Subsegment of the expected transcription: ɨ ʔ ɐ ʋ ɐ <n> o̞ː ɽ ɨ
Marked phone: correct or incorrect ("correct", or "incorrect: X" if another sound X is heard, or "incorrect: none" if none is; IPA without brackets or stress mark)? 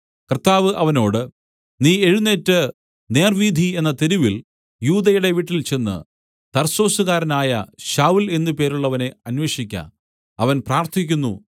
correct